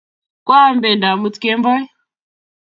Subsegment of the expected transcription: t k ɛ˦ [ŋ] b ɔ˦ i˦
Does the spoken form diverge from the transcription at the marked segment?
yes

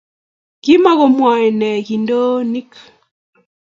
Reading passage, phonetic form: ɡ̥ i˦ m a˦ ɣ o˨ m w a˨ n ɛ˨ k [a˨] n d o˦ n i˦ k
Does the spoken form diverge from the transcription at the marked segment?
yes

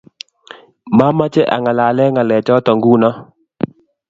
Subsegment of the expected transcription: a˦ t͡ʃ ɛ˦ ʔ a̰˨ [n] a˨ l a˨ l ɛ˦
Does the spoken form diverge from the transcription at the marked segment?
yes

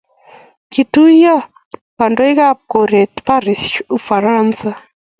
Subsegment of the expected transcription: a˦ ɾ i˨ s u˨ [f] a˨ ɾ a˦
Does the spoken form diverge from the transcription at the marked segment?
no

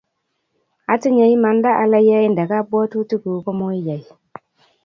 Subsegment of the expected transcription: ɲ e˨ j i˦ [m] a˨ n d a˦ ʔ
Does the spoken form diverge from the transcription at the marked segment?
no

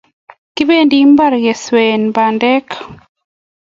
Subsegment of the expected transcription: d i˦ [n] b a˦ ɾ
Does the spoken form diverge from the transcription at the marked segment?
yes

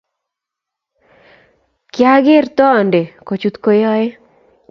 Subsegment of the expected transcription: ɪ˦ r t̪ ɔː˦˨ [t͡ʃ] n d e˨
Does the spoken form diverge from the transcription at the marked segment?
yes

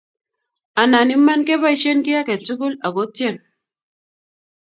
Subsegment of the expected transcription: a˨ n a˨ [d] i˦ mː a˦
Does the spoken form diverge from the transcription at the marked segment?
yes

